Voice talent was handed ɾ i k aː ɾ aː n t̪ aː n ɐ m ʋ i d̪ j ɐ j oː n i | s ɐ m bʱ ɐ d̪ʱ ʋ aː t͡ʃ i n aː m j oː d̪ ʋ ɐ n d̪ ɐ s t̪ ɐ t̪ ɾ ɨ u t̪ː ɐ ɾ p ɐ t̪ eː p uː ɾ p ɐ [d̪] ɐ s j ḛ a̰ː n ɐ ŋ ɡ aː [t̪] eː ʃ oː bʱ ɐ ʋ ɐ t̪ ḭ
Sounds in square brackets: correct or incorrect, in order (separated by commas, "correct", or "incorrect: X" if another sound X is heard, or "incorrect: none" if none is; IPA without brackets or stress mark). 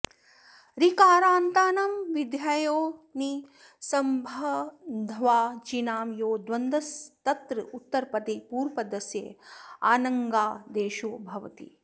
correct, incorrect: d̪